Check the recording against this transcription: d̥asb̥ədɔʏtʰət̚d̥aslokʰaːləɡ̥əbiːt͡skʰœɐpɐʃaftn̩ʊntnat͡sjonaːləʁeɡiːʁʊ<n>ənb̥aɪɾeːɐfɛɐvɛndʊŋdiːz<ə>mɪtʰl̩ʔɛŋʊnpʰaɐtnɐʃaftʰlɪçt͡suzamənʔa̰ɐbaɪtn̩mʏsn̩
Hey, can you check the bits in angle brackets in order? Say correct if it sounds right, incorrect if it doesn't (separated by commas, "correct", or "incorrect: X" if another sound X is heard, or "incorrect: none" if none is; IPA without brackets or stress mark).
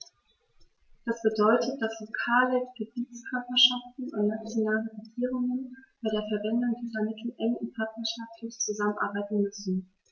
incorrect: ŋ, incorrect: ɐ